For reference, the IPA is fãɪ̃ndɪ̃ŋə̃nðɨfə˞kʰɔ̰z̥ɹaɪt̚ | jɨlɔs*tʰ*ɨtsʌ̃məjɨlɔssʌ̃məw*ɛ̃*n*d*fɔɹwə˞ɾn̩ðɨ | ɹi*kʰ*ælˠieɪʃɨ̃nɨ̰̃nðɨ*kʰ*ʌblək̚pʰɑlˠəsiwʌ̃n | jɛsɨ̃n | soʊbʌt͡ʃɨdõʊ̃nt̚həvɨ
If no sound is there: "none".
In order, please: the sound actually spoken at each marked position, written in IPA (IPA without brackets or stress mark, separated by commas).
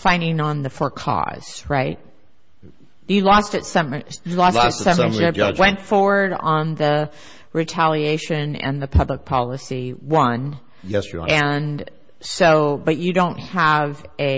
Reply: t, ɛ̃, t, tʰ, pʰ